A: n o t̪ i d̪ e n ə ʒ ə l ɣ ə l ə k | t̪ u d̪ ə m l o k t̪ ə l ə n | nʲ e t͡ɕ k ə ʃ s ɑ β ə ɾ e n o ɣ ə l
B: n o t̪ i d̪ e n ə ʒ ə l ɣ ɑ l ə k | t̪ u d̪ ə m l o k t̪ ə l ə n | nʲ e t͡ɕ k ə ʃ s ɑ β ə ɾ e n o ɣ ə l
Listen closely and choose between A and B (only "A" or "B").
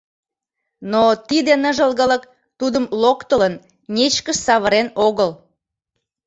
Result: A